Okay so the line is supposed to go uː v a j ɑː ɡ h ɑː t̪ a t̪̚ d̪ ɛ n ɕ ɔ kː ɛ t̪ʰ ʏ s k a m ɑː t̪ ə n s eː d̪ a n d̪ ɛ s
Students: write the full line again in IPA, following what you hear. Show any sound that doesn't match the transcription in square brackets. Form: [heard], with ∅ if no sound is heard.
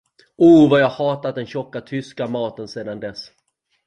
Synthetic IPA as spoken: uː v a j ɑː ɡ h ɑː t̪ a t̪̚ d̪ ɛ n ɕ ɔ kː [a] t̪ʰ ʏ s k a m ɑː t̪ ə n s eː d̪ a n d̪ ɛ s